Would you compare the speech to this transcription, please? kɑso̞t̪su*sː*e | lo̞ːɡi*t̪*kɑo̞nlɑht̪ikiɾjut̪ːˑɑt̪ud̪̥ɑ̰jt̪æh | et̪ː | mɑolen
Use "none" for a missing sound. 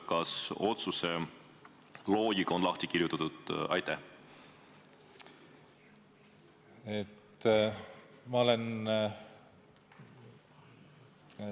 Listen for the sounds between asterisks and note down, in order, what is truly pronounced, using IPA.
s, none

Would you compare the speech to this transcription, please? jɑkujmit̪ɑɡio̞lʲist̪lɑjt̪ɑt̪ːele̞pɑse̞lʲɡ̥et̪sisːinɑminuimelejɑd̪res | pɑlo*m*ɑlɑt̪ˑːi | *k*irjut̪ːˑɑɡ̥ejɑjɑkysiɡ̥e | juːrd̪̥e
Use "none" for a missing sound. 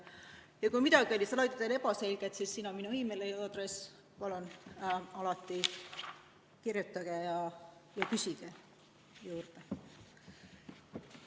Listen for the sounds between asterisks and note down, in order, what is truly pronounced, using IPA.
n, k

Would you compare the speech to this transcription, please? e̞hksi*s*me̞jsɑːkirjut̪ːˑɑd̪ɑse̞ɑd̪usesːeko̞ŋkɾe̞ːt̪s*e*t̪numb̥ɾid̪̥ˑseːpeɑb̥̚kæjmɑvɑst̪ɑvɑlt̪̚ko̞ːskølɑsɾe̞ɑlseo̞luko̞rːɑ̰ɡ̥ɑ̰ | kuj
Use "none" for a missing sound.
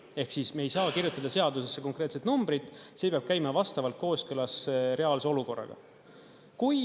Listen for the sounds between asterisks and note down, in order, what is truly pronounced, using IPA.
s, e

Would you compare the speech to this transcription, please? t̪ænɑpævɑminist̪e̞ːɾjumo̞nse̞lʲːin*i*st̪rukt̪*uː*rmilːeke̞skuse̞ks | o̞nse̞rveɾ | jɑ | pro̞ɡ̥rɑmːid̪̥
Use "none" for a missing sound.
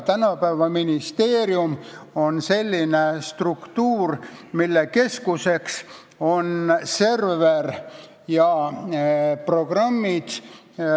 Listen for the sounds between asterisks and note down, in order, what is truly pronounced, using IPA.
e, uː

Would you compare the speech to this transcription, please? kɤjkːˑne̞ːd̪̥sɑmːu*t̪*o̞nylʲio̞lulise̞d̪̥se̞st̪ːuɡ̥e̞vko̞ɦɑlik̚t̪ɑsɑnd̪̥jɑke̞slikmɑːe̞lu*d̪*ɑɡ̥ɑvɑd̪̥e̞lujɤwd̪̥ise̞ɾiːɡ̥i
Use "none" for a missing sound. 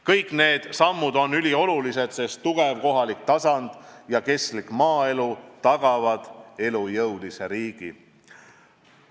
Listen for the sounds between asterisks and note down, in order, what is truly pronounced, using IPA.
d̪, t̪

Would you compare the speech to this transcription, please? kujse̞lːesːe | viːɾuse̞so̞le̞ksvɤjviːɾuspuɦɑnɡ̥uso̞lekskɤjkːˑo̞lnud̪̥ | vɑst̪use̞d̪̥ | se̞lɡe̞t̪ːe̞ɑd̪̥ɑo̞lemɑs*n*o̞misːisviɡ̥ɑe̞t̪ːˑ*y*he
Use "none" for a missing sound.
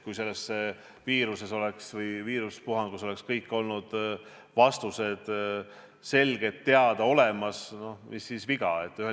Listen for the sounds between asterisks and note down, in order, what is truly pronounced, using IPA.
n, y

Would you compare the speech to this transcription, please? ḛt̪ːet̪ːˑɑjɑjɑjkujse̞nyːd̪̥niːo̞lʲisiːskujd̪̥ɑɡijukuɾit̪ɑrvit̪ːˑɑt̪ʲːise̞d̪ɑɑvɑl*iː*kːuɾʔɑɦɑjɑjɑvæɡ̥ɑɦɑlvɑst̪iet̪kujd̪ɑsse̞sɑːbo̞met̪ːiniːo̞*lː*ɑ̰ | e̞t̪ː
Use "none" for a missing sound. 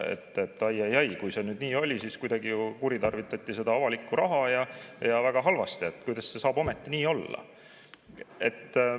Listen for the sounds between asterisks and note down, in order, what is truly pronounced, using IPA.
i, lː

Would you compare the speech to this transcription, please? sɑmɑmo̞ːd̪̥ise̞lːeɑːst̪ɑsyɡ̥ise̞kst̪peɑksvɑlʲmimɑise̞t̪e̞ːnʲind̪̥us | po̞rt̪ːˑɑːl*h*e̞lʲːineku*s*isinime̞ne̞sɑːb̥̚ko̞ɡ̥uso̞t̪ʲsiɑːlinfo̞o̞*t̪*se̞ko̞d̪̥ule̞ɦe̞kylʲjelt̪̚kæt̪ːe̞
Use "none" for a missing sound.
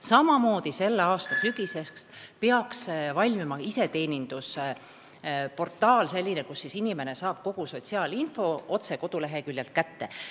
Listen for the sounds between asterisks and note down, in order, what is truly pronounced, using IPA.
s, sː, t̪

